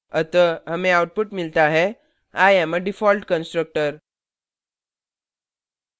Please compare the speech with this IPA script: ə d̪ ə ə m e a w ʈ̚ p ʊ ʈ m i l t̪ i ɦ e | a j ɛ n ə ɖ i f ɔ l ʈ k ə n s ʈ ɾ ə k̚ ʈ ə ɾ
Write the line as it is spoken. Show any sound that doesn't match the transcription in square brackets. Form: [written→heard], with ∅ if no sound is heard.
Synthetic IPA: ə [d̪→t̪] ə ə m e a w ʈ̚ p [ʊ→u] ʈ m i l t̪ [i→a] ɦ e | a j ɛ [n→m] ə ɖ i f ɔ l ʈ k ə n s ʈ ɾ ə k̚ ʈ ə ɾ